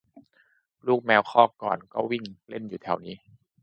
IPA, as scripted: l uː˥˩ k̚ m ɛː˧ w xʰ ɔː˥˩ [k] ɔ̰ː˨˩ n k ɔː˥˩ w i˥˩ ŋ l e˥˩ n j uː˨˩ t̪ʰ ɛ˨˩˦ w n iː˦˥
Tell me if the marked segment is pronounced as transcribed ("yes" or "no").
yes